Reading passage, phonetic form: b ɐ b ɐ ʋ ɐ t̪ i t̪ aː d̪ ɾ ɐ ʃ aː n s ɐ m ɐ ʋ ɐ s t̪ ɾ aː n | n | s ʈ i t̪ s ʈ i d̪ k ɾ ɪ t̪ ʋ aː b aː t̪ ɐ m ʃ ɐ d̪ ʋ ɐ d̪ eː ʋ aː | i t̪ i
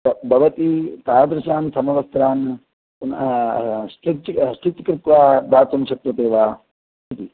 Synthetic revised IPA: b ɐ b ɐ ʋ ɐ t̪ i t̪ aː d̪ ɾ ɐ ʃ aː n s ɐ m ɐ ʋ ɐ s t̪ ɾ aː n | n | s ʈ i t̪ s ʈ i t̪ k ɾ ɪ t̪ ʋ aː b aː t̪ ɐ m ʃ ɐ t̪ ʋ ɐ t̪ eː ʋ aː | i t̪ i